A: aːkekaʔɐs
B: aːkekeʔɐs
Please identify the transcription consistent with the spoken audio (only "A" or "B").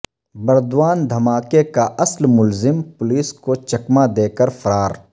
A